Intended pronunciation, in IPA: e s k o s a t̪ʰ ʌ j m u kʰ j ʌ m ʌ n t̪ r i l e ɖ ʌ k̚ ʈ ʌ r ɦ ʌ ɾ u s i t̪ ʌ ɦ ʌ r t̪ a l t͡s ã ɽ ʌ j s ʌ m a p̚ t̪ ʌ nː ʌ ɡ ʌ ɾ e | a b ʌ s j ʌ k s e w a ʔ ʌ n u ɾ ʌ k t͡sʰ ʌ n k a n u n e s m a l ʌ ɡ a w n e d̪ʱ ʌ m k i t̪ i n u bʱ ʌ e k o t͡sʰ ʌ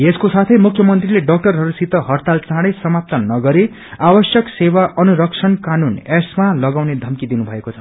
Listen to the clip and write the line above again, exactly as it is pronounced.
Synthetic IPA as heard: e s k o s a t̪ʰ ʌ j m u kʰ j ʌ m ʌ n t̪ r i l e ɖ ʌ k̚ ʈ ʌ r ɦ ʌ ɾ u s i t̪ ʌ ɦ ʌ r t̪ a l t͡s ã ɽ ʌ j s ʌ m a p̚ t̪ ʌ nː ʌ ɡ ʌ ɾ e | a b ʌ s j ʌ k s e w a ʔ ʌ n u ɾ ʌ k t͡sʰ ʌ n k a n u n e s m a l ʌ ɡ a w n e d̪ʱ ʌ m k i d̪ i n u bʱ ʌ e k o t͡sʰ ʌ